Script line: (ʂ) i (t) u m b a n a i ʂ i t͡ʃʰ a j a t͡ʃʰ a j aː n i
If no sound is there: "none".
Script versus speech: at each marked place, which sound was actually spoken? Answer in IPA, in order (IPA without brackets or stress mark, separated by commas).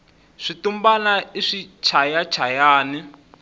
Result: ʂ, t